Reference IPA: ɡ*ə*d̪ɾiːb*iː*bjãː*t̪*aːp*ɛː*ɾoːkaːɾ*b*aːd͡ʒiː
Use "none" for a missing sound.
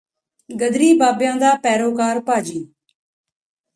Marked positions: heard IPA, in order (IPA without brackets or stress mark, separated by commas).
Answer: ə, aː, d̪, ɛː, p